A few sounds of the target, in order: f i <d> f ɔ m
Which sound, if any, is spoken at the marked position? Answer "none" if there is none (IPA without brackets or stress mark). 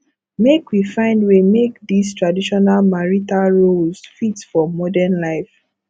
t